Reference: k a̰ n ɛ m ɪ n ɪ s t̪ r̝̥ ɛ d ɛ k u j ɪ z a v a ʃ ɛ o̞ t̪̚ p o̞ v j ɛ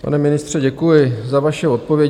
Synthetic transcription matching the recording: p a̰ n ɛ m ɪ n ɪ s t̪ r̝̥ ɛ ɟ ɛ k u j ɪ z a v a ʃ ɛ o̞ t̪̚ p o̞ v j ɛ